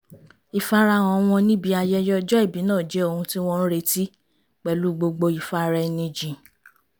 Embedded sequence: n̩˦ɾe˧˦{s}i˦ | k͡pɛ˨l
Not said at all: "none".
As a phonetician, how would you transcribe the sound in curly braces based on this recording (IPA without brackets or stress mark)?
t